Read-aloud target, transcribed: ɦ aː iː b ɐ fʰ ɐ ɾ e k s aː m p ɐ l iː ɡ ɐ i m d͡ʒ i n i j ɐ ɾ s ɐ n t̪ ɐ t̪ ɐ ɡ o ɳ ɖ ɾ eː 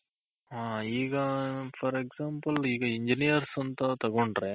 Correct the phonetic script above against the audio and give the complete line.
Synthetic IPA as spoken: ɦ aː iː ɡ ɐ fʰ ɐ ɾ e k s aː m p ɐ l iː ɡ ɐ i ɲ d͡ʒ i n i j ɐ ɾ s ɐ n t̪ ɐ t̪ ɐ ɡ o ɳ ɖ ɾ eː